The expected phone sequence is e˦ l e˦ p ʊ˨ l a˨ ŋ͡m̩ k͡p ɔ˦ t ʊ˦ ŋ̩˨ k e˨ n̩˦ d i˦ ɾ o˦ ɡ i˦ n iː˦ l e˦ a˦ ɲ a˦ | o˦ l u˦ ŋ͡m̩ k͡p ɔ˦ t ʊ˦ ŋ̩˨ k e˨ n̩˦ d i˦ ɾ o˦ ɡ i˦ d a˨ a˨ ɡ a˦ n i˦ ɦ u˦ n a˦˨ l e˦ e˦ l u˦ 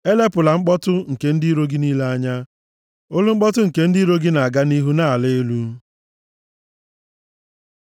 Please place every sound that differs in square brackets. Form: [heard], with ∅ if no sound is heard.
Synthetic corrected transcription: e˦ l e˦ p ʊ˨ l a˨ ŋ͡m̩ k͡p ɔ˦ t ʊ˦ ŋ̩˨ k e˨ n̩˦ d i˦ ɾ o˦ ɡ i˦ n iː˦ l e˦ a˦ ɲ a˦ | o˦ l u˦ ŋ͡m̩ k͡p ɔ˦ t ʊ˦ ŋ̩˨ k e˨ n̩˦ d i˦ ɾ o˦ ɡ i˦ [n] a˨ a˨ ɡ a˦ n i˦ ɦ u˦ n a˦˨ l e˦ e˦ l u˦